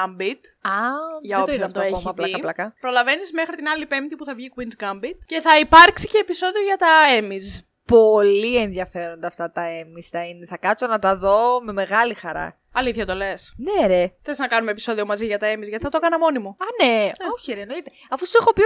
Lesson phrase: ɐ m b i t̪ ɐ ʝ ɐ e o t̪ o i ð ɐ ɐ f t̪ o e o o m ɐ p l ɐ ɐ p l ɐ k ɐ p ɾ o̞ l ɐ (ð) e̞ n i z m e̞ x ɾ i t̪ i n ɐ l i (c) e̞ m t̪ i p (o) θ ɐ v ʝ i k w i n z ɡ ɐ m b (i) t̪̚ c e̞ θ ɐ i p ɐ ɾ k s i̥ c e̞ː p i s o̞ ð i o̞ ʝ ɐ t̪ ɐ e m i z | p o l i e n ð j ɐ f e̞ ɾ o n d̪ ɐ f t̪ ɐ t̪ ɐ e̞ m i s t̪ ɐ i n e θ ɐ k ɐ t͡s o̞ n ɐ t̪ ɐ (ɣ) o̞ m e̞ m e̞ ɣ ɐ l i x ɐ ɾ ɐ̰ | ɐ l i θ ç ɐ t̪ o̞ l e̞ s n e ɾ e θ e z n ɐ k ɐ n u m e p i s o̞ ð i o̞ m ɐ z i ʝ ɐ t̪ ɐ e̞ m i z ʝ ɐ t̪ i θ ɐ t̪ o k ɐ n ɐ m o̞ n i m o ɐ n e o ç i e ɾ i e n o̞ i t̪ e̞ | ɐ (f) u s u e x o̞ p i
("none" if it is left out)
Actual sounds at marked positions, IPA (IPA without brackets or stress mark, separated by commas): v, p, u, i, ð, f